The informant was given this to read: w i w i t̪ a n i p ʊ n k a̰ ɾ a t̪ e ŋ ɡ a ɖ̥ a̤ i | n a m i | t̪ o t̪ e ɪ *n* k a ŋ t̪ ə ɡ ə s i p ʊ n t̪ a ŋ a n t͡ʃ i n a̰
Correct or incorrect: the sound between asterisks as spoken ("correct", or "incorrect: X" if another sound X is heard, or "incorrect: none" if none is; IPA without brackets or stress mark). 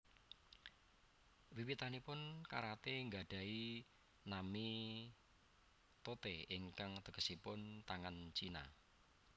incorrect: ŋ